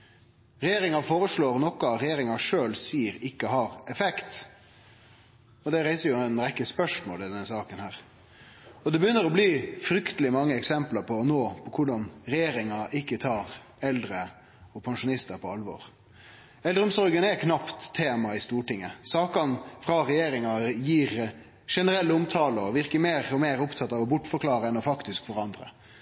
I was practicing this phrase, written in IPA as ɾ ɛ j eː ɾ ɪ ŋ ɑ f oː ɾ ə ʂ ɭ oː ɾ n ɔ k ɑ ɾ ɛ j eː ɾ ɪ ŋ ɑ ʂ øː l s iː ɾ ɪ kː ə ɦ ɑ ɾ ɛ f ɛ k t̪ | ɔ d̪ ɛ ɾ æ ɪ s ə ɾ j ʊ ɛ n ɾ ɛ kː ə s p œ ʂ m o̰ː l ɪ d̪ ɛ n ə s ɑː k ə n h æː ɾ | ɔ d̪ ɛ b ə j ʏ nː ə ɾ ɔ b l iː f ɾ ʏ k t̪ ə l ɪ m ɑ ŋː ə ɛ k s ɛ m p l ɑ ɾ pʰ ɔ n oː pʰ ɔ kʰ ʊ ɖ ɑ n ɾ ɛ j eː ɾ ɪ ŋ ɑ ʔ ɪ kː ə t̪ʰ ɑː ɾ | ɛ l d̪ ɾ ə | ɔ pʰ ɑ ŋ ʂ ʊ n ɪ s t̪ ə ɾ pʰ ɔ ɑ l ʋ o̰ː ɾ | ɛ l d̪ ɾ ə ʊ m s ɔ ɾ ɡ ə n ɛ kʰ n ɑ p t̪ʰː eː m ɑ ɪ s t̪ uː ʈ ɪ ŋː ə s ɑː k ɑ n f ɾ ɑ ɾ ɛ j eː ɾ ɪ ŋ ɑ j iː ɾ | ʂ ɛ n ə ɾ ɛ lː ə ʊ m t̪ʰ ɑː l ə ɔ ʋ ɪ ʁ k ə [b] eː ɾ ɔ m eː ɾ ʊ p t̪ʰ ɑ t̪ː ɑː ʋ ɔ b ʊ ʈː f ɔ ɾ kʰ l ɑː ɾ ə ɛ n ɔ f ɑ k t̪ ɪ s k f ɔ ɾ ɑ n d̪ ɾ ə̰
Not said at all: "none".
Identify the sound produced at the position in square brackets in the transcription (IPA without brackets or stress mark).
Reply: m